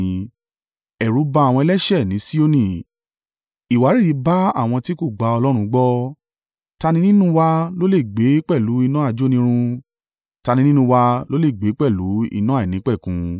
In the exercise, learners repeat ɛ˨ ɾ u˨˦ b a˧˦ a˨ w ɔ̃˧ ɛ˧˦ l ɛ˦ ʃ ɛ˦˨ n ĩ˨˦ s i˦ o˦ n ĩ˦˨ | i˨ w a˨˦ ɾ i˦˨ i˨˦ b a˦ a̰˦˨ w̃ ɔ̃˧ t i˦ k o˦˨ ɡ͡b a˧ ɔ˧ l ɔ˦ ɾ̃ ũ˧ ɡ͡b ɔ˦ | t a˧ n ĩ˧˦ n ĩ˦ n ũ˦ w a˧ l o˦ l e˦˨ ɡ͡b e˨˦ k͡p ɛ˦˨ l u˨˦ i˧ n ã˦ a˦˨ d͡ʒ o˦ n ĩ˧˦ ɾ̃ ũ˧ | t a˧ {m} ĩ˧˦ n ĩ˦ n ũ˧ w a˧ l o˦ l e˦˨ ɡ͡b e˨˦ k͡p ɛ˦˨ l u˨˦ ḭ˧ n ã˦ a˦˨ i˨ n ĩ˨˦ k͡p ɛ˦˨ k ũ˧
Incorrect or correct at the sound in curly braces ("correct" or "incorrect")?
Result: incorrect